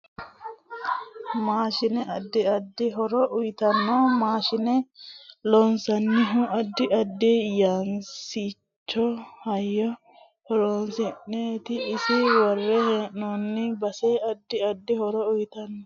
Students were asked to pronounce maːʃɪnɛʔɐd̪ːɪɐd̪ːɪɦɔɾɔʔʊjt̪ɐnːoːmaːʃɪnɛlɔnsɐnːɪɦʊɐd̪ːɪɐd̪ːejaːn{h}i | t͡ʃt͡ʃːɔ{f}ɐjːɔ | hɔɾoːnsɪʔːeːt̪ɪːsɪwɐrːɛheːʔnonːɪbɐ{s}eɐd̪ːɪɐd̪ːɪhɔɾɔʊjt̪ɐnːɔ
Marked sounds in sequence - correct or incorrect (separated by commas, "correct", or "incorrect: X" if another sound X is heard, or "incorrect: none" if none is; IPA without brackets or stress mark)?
incorrect: s, incorrect: h, correct